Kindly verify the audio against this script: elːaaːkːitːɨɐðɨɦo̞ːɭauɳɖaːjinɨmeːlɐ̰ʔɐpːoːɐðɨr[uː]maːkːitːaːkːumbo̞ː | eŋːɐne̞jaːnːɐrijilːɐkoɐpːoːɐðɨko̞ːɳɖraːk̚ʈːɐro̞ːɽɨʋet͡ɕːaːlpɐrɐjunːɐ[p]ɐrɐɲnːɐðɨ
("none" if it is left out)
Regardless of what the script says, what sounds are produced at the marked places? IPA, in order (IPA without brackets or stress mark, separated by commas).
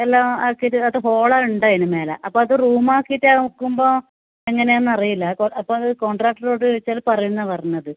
uː, p